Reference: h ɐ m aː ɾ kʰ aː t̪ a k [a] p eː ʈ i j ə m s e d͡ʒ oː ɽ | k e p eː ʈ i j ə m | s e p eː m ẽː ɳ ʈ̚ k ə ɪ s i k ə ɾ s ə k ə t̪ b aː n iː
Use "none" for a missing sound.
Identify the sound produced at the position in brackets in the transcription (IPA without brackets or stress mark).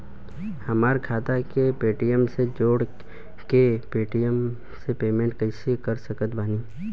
e